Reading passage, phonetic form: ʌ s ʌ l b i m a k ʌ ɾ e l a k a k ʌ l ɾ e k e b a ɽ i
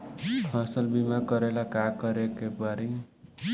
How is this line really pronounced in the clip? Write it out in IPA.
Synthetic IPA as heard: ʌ s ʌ l b i m a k ʌ ɾ e l a k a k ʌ ɾ e k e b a ɾ i